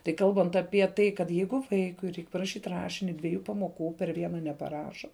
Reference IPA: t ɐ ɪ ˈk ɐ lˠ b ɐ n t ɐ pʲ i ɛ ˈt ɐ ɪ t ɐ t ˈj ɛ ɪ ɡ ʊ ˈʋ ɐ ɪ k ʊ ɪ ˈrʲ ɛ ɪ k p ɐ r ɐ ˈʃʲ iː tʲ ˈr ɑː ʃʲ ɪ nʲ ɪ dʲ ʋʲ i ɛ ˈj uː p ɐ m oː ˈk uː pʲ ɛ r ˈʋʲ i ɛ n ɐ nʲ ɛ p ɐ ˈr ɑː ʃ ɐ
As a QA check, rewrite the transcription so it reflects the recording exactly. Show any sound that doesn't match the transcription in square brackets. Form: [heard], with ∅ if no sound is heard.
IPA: t ɐ ɪ ˈk ɐ lˠ b ɐ n t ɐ pʲ i ɛ ˈt ɐ ɪ [k] ɐ t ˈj ɛ ɪ ɡ ʊ ˈʋ ɐ ɪ k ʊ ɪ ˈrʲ ɛ ɪ k p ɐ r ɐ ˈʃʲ iː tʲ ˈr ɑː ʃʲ ɪ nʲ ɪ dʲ ʋʲ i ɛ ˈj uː p ɐ m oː ˈk uː pʲ ɛ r ˈʋʲ i ɛ n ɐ nʲ ɛ p ɐ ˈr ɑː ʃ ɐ